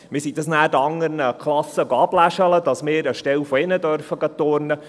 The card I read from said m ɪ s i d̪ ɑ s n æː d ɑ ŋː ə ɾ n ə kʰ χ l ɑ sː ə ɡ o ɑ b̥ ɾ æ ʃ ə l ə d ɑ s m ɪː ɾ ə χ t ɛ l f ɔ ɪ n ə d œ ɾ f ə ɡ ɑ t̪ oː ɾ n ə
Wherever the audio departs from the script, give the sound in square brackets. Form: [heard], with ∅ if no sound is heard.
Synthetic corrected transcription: m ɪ s i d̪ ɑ s n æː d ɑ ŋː ə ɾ n ə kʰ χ l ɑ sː ə ɡ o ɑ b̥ [l] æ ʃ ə l ə d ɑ s m ɪː ɾ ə [ʃ] t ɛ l f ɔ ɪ n ə d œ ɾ f ə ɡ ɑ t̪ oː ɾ n ə

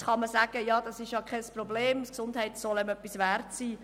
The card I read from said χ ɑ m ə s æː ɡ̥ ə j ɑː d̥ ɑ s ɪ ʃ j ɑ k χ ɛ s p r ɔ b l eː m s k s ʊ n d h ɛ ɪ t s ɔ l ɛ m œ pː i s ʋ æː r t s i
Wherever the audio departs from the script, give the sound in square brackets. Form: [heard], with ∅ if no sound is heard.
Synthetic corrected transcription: χ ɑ m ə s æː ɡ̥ ə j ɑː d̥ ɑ s ɪ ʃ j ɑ k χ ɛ s p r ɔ b l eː m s k s ʊ n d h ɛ ɪ t s ɔ l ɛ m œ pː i s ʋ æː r t s [iː]

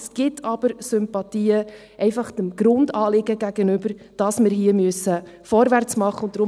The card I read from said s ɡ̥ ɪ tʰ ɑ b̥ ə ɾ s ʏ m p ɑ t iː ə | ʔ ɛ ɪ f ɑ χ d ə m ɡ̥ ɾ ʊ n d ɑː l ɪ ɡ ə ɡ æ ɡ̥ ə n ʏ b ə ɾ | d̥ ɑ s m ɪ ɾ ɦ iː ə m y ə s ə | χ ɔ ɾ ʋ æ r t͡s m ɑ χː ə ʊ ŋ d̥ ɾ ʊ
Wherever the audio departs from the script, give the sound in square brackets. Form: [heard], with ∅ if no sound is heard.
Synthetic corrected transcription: s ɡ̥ ɪ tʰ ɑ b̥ ə ɾ s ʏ m p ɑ t iː ə | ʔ ɛ ɪ f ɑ χ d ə m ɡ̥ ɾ ʊ n d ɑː l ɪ ɡ ə ɡ æ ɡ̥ ə n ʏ b ə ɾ | d̥ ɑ s m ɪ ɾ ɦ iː ə m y ə s ə | [f] ɔ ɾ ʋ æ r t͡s m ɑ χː ə ʊ [n] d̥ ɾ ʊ

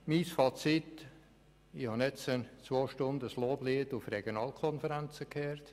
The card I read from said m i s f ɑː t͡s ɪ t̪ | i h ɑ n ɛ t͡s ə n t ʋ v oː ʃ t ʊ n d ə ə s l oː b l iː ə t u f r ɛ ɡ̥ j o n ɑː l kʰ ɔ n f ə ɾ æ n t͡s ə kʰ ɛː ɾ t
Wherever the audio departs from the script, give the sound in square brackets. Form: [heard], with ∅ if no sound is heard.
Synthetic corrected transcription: m i s f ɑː t͡s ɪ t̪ | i h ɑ n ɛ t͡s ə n [t͡s] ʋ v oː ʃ t ʊ n d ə ə s l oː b l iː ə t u f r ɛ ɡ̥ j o n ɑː l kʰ ɔ n f ə ɾ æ n t͡s ə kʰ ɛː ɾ t

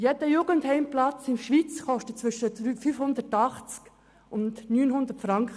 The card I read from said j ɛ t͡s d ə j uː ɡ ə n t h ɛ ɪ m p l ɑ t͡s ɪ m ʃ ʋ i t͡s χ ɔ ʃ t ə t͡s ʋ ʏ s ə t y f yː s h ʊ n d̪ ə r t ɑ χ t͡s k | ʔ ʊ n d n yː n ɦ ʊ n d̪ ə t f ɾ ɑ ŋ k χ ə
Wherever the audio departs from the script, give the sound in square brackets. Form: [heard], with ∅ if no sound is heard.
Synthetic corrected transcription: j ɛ [∅] d ə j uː ɡ ə n t h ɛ ɪ m p l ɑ t͡s ɪ m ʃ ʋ i t͡s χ ɔ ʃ t ə t͡s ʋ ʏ [ʃ] ə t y f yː [f] h ʊ n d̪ ə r t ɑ χ t͡s k | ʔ ʊ n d n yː n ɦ ʊ n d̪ ə t f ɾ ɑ ŋ k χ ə

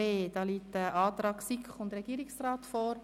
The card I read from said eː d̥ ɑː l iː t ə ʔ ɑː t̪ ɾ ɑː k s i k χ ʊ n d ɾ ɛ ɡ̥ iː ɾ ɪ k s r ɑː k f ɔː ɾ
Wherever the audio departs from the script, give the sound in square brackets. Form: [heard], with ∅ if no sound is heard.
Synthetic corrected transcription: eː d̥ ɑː l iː t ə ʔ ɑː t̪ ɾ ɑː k s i k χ ʊ n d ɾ ɛ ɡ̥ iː ɾ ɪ k s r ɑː [t] f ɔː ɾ

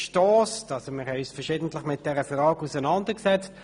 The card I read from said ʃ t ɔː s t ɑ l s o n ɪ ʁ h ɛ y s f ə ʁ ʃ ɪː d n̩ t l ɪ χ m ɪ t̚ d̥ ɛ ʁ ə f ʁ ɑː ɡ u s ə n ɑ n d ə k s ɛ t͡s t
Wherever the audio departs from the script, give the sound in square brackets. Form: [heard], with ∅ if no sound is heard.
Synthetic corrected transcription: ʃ t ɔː s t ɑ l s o [m] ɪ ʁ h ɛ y s f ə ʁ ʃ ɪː d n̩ t l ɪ χ m ɪ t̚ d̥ ɛ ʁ ə f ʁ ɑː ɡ u s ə n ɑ n d ə k s ɛ t͡s t

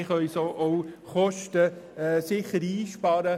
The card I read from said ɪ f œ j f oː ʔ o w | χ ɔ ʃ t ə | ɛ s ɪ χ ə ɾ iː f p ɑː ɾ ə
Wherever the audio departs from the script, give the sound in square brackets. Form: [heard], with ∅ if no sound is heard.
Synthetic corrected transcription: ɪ [χ] œ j [s] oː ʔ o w | χ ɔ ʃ t ə | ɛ s ɪ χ ə ɾ iː [ʃ] p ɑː ɾ ə

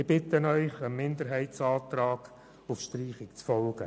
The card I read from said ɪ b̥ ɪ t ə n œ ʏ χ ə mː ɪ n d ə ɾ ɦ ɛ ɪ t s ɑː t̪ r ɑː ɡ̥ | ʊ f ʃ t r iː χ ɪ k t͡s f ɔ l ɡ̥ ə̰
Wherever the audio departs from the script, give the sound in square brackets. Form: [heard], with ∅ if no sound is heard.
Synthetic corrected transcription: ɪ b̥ ɪ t ə n œ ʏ χ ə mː ɪ n d ə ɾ ɦ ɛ ɪ t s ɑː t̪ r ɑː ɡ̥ | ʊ f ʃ t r iː χ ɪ k t͡s f ɔ l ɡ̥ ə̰

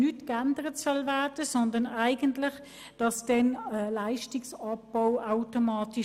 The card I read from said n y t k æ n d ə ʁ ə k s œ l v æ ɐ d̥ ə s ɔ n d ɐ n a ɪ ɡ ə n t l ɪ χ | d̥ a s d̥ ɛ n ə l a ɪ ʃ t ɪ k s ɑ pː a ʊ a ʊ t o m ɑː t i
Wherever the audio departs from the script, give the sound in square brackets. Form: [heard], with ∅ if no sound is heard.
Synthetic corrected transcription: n y t k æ n d ə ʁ ə [t] s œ l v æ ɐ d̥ ə s ɔ n d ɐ n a ɪ ɡ ə n t l ɪ χ | d̥ [ɑ] s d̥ ɛ n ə l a ɪ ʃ t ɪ k s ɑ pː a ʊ a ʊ t o m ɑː t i

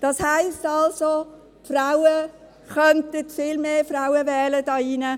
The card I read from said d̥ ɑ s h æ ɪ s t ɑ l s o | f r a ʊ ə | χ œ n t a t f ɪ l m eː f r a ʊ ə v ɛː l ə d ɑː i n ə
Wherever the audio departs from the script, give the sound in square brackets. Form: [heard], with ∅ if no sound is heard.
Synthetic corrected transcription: d̥ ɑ s h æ ɪ s t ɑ l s o | f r a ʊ ə | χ œ n t [ə] t f ɪ l m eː f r a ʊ ə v ɛː l ə d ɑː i n ə

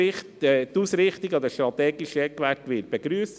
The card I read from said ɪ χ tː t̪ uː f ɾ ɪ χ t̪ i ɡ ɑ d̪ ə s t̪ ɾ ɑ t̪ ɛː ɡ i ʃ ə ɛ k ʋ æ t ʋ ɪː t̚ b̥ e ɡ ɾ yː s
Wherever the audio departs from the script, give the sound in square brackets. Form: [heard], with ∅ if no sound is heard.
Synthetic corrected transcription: ɪ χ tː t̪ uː [s] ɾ ɪ χ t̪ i ɡ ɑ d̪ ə [ʃ] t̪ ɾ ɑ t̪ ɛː ɡ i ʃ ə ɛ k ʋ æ t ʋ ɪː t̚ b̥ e ɡ ɾ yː s

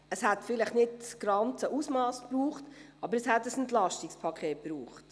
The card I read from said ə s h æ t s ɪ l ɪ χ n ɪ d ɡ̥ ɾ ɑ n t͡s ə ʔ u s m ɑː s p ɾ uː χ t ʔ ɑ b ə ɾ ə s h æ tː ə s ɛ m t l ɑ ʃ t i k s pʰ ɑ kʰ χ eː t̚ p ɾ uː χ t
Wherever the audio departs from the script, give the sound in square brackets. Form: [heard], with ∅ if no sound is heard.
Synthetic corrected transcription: ə s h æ t [f] ɪ l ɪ χ n ɪ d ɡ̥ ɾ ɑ n t͡s ə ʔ u s m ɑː s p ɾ uː χ t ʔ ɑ b ə ɾ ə s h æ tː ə s ɛ [n] t l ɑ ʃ t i k s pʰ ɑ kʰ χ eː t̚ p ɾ uː χ t

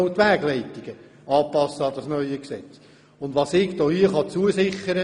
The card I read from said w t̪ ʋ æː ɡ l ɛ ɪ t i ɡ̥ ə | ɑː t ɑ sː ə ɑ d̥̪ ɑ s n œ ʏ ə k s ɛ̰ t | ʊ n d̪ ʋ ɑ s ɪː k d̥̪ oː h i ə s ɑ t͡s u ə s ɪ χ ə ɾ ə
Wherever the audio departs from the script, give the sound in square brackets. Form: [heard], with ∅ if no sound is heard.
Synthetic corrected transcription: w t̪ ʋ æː ɡ l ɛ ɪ t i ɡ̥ ə | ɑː [p] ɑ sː ə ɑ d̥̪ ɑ s n œ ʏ ə k s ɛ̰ [t͡s] | ʊ n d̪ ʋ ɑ s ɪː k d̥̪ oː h i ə [χ] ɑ t͡s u ə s ɪ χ ə ɾ ə

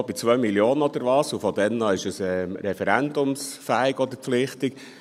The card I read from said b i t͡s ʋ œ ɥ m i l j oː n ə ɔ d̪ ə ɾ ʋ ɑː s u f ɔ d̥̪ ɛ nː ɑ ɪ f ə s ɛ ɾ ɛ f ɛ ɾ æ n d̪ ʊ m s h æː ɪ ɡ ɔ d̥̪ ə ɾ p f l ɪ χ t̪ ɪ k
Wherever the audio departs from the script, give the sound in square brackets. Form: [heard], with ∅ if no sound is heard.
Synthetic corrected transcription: b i t͡s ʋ œ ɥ m i l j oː n ə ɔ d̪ ə ɾ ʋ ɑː s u f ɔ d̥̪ ɛ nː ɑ ɪ [ʃ] ə s ɛ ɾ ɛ f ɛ ɾ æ n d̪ ʊ m s [f] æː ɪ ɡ ɔ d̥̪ ə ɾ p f l ɪ χ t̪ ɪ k

